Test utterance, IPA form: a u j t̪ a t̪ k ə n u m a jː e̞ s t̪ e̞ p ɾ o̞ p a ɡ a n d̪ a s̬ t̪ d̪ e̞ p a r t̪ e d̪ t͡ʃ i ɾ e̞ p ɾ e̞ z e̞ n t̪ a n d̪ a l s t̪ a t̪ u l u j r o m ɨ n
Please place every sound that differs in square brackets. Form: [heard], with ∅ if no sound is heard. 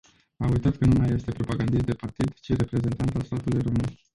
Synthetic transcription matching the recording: a u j t̪ a t̪ k ə n u m a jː e̞ s t̪ e̞ p ɾ o̞ p a ɡ a n d̪ [i] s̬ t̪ d̪ e̞ p a r t̪ [i] d̪ t͡ʃ i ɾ e̞ p ɾ e̞ z e̞ n t̪ a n [t̪] a l s t̪ a t̪ u l u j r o m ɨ n